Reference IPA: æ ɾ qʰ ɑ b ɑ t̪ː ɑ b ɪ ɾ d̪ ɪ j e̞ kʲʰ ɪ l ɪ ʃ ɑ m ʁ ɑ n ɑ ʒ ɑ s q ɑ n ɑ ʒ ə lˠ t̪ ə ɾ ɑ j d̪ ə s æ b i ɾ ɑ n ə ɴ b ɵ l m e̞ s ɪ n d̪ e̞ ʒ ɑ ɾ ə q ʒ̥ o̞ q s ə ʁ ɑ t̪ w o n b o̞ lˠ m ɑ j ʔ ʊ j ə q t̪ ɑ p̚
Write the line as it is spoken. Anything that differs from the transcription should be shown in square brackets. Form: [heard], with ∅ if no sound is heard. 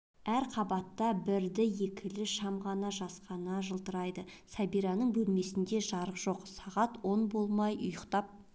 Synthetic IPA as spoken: æ ɾ qʰ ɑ b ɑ t̪ː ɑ b ɪ ɾ d̪ ɪ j e̞ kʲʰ ɪ l ɪ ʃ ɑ m ʁ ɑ n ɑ ʒ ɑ s q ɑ n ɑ ʒ ə lˠ t̪ ə ɾ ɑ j d̪ ə s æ b i ɾ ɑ n ə ɴ b ɵ l m e̞ s ɪ n d̪ e̞ ʒ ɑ ɾ ə q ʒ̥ o̞ q s [ɑ] ʁ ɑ t̪ w o n b o̞ lˠ m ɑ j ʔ ʊ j ə q t̪ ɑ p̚